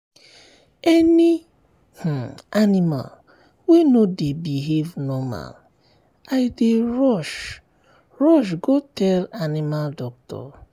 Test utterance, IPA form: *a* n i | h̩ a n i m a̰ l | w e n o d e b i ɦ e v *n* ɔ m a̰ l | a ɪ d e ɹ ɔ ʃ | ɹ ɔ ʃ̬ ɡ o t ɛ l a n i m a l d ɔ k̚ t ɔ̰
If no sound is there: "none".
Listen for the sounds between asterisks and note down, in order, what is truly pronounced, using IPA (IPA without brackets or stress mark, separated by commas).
ɛ, n